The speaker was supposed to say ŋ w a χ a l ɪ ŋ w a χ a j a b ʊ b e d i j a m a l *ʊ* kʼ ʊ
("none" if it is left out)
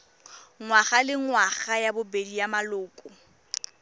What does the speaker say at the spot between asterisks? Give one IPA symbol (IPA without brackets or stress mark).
ʊː